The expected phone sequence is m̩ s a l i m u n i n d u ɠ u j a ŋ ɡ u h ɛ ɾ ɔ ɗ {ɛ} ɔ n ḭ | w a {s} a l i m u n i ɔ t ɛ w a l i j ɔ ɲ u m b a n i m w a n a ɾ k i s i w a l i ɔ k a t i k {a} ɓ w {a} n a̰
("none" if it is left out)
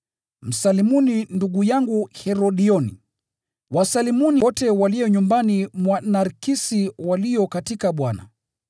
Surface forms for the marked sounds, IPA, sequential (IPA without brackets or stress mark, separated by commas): i, s, a, a